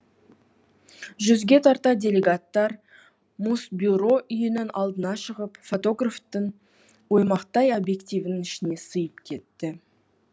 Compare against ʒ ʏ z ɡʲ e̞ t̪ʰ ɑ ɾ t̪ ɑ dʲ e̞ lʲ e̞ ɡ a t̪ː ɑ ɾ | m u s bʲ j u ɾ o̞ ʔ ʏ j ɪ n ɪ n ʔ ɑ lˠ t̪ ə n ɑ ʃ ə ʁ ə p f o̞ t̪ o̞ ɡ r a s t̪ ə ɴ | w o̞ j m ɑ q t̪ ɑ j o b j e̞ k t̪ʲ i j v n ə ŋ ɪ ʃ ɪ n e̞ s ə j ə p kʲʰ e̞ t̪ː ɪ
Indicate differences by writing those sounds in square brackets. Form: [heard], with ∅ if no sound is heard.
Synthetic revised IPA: ʒ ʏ z ɡʲ e̞ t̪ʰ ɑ ɾ t̪ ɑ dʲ e̞ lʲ e̞ ɡ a t̪ː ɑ ɾ | m u s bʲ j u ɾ o̞ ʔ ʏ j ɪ n ɪ n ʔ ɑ lˠ [d̪] ə n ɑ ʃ ə ʁ ə p f o̞ t̪ o̞ ɡ r a [f] t̪ ə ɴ | w o̞ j m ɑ q t̪ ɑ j o b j e̞ k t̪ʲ i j v n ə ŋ ɪ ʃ ɪ n e̞ s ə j ə p kʲʰ e̞ t̪ː ɪ